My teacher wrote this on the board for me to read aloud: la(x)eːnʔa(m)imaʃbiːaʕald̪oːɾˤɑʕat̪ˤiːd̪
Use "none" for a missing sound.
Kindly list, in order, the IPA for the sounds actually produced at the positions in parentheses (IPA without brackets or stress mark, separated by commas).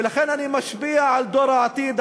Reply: x, n